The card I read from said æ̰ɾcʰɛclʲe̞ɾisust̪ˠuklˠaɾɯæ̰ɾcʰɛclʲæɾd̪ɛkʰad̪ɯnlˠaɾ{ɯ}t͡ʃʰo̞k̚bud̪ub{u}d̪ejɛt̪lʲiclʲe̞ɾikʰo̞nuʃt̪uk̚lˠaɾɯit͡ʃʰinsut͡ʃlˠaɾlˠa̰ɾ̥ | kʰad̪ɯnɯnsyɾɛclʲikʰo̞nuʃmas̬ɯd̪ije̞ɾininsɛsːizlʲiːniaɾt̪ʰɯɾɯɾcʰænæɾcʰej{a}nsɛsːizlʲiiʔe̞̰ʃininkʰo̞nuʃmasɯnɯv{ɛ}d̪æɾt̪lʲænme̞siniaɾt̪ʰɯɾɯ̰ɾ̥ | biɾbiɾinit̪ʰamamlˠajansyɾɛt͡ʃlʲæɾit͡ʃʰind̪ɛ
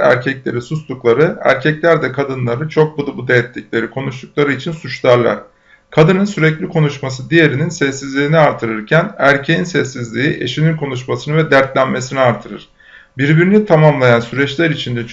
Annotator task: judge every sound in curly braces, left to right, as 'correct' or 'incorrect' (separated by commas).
correct, correct, incorrect, correct